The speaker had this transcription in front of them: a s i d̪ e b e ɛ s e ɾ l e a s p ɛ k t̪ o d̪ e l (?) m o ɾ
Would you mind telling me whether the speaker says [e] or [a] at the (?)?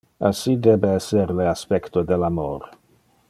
a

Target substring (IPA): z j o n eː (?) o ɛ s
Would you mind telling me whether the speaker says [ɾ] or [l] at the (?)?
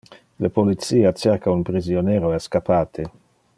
ɾ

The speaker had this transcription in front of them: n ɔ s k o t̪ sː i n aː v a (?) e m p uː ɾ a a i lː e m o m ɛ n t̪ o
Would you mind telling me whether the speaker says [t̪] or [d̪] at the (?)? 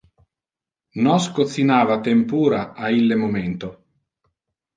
t̪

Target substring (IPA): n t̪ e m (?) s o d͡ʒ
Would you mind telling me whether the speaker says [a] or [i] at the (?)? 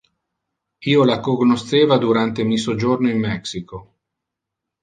i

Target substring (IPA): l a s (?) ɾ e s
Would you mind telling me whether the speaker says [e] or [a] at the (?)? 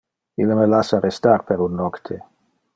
a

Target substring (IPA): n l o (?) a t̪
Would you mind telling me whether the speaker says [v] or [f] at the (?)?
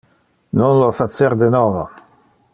f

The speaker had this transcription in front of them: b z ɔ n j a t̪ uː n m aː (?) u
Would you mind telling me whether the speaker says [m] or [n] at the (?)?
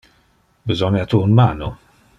n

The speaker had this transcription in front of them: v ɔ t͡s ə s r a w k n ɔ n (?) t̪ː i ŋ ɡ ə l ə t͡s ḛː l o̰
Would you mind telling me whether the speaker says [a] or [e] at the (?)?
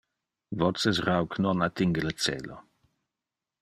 a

